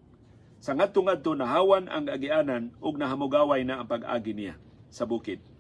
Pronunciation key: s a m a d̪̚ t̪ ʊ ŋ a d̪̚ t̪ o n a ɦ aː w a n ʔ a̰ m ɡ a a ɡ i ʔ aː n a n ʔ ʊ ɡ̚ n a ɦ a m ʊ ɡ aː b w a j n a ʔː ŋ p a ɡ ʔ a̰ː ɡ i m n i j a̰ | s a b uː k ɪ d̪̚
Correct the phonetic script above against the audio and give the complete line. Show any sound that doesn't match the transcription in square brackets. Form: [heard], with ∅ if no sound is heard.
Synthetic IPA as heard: s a [ŋ] a d̪̚ t̪ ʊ ŋ a d̪̚ t̪ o n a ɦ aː w a n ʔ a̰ [ŋ] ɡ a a ɡ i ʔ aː n a n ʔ ʊ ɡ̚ n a ɦ a m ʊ ɡ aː [∅] w a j n a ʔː ŋ p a ɡ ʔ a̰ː ɡ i [∅] n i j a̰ | s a b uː k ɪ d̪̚